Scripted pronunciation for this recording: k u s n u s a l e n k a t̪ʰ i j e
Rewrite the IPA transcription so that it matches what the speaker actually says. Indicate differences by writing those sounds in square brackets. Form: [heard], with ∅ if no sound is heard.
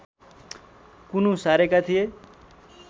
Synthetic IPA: k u [∅] n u s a [ɾ] e [∅] k a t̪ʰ i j e